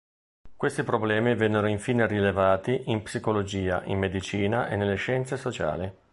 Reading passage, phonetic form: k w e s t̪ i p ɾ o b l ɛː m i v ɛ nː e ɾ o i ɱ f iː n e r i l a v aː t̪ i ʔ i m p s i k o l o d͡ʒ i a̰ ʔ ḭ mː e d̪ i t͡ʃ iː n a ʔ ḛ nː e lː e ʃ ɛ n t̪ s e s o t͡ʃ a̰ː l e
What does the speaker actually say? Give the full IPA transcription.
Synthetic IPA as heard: k w e s t̪ i p ɾ o b l ɛː m i v ɛ nː e ɾ o i ɱ f iː n e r i l e v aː t̪ i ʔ i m p s i k o l o d͡ʒ iː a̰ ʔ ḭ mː e d̪ i t͡ʃ iː n a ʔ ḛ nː e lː e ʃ ɛ n t̪ s e s o t͡ʃ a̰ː l i